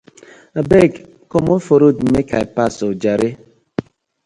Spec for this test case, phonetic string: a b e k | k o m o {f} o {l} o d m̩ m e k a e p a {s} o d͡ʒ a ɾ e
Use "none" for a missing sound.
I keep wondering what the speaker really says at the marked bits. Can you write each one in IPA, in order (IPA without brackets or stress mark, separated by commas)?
f, ɾ, s